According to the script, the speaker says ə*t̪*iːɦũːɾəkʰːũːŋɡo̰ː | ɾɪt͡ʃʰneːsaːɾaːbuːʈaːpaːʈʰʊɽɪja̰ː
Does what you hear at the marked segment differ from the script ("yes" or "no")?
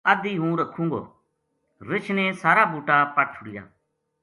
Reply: yes